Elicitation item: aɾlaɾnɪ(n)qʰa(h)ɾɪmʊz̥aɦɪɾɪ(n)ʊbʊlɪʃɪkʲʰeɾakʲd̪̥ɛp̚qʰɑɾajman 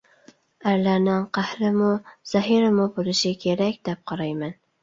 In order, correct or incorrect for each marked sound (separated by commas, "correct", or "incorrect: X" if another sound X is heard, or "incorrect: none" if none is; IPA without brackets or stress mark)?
incorrect: ŋ, correct, incorrect: m